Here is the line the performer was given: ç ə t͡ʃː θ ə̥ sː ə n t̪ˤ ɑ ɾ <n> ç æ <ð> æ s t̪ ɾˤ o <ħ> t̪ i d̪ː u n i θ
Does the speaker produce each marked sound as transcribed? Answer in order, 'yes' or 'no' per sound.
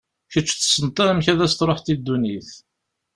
no, yes, yes

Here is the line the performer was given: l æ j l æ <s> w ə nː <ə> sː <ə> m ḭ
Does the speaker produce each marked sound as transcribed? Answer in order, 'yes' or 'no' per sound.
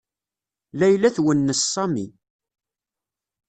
no, yes, no

